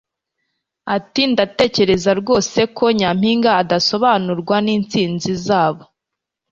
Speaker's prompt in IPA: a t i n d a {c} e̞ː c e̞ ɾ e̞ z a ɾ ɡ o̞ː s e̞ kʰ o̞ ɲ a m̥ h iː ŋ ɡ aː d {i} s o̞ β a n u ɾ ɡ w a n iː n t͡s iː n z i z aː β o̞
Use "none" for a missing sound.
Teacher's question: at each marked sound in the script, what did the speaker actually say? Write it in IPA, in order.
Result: t, a

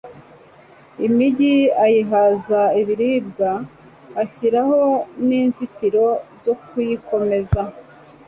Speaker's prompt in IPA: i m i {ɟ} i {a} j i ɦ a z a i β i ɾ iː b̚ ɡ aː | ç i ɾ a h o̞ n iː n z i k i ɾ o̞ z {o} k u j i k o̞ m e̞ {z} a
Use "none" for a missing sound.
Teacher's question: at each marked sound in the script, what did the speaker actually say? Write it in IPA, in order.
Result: ɟ, a, o, z

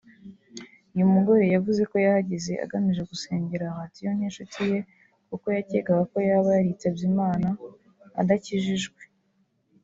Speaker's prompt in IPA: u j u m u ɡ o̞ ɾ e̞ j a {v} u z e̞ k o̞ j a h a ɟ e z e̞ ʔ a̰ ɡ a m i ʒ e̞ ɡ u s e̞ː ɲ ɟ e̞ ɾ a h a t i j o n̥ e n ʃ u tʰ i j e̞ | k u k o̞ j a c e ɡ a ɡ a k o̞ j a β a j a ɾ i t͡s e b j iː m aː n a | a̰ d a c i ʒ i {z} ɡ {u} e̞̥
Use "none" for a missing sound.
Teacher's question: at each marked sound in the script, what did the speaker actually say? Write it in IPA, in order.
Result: v, ʒ, w

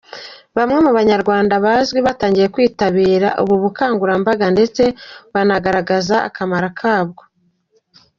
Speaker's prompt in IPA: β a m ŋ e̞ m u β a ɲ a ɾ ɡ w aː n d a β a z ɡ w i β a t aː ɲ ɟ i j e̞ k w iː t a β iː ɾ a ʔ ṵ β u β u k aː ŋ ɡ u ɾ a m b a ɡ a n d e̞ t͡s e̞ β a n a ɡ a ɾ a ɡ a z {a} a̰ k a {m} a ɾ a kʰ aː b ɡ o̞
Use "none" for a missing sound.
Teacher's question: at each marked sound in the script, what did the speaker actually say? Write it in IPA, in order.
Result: a, m

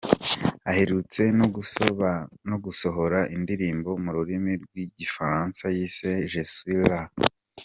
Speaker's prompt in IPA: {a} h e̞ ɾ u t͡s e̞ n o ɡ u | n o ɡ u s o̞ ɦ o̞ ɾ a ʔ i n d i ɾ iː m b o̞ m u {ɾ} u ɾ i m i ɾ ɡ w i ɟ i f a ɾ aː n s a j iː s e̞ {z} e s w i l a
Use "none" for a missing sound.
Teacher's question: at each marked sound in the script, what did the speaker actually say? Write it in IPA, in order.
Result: a, ɾ, ʒ

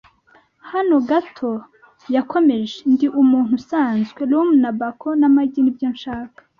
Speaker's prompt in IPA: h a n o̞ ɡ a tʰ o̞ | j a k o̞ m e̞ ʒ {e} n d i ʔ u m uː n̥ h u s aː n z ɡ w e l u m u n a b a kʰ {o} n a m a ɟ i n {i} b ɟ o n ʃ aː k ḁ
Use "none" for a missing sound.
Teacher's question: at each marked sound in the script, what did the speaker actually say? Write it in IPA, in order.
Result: e, o, i

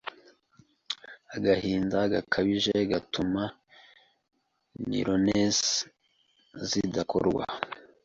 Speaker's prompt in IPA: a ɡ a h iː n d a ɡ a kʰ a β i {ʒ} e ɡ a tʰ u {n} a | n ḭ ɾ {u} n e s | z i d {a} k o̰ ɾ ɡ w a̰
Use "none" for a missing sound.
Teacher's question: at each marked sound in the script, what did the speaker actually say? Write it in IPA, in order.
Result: ʒ, m, o, a

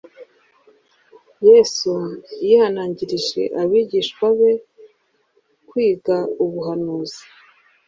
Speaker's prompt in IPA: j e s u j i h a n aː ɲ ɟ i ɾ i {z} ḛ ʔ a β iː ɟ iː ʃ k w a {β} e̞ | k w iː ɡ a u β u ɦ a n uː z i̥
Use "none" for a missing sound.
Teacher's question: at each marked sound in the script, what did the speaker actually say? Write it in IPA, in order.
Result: ʒ, β

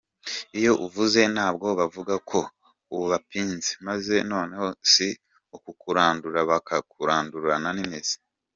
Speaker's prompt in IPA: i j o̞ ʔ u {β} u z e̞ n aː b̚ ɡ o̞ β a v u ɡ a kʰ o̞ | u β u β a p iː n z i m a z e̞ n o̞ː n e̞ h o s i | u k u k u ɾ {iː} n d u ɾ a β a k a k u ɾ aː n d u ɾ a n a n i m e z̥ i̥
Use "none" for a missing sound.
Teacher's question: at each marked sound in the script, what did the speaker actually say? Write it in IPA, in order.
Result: v, aː

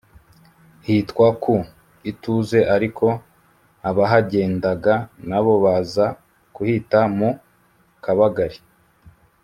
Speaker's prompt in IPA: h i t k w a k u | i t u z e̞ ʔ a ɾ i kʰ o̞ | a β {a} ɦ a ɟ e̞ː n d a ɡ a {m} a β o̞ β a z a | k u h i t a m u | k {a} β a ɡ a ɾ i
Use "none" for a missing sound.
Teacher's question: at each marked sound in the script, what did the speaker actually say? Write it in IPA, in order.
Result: a, n, a

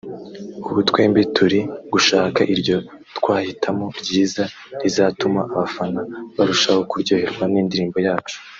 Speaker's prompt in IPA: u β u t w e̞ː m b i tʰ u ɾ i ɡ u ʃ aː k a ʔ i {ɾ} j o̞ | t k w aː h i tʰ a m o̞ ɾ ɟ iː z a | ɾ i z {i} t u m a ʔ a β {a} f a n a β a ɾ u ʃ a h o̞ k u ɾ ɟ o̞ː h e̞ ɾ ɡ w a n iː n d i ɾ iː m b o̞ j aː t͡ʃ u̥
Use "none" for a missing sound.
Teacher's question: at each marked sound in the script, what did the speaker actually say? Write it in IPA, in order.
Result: ɾ, a, a

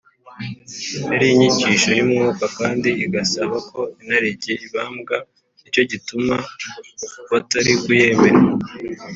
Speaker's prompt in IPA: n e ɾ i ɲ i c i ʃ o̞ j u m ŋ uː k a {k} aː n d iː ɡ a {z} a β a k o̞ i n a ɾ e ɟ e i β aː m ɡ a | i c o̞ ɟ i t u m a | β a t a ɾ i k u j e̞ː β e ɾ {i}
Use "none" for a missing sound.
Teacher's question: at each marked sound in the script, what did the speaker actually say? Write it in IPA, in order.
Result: k, s, a

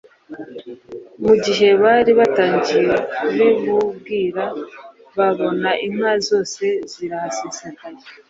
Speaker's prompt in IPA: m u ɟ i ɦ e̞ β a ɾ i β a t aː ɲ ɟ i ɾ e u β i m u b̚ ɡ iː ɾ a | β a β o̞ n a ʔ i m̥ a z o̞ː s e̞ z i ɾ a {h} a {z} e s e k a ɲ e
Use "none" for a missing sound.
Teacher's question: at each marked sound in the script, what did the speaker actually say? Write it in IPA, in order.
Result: h, s

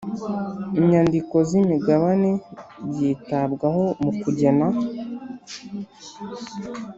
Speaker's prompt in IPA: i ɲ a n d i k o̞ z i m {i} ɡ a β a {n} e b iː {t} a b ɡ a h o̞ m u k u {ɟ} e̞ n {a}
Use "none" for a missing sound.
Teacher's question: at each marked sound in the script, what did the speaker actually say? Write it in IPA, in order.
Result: i, n, t, ɟ, a

